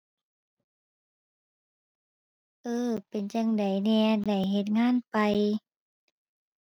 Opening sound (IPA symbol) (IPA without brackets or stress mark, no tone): ʔ